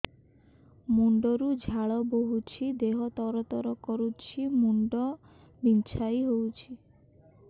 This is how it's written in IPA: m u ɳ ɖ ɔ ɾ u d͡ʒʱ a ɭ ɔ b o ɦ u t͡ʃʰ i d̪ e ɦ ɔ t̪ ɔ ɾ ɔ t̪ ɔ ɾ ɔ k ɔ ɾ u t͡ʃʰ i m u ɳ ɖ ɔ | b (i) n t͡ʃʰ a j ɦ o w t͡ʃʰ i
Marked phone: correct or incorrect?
correct